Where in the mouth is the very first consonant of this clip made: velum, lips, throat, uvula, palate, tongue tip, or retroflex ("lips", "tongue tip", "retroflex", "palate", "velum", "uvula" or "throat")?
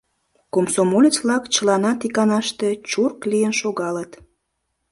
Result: velum